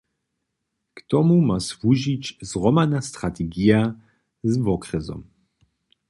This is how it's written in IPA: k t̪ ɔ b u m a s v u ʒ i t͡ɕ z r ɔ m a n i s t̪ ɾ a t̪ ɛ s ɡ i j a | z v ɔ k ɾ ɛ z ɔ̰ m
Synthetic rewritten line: k t̪ ɔ m u m a s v u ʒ i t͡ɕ z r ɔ m a n a s t̪ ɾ a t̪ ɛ ɡ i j a | z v ɔ k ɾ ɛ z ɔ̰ m